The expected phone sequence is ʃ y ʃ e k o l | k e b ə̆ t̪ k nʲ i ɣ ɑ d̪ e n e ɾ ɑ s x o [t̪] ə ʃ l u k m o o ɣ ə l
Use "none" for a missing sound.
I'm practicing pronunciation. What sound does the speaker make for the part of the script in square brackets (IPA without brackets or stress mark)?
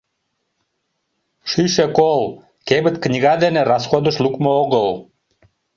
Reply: d̪